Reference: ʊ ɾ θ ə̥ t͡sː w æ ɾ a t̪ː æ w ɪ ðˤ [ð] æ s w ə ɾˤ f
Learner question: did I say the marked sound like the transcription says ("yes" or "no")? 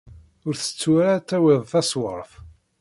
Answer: no